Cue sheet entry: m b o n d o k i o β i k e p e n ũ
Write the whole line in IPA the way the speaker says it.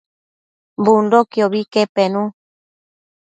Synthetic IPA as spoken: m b u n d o k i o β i k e p e n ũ